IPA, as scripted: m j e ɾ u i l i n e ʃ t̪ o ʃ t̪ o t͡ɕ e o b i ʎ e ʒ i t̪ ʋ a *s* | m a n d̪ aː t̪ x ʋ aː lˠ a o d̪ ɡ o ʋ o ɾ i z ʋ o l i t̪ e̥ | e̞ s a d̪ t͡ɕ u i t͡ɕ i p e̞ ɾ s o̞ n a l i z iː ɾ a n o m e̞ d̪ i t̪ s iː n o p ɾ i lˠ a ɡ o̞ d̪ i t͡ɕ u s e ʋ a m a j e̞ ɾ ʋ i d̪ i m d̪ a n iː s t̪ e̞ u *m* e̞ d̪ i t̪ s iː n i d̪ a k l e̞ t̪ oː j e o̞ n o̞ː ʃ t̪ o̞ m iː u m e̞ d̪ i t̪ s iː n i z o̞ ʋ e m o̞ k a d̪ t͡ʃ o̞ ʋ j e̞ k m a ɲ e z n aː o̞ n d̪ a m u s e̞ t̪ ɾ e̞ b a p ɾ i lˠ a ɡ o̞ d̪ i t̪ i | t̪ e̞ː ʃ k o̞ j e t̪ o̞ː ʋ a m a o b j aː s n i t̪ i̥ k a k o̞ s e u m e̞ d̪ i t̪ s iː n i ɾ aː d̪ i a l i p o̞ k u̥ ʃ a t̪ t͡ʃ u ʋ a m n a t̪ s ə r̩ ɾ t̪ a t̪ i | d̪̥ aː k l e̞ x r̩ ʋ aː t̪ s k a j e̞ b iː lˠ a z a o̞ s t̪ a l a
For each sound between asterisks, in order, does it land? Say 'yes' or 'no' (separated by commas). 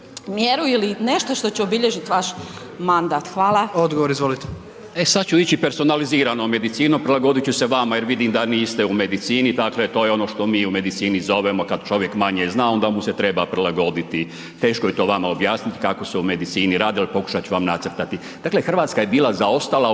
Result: no, yes